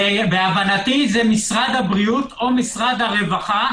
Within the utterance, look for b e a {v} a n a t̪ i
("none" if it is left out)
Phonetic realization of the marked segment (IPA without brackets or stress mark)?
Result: v